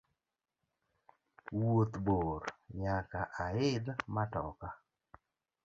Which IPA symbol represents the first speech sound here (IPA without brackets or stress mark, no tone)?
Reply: w